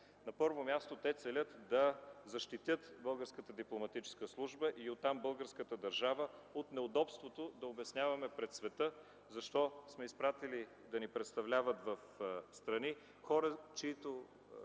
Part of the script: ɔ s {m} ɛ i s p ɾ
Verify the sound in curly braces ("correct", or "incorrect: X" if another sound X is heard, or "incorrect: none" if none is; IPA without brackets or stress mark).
correct